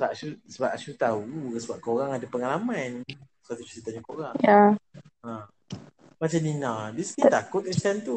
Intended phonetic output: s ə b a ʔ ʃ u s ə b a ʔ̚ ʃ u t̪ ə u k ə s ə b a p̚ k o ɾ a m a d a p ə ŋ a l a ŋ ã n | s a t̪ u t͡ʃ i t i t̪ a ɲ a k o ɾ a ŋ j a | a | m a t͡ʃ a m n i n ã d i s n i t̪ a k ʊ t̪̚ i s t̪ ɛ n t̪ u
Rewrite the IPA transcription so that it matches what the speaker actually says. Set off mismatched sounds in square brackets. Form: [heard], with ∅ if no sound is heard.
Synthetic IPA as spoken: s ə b a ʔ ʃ u s ə b a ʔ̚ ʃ u t̪ [a] u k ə s ə b a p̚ k o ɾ a [ŋ] a d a p ə ŋ a l a [m] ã n | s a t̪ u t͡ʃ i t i t̪ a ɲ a k o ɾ a ŋ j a | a | m a t͡ʃ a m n i n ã d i s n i t̪ a k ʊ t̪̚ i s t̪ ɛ n t̪ u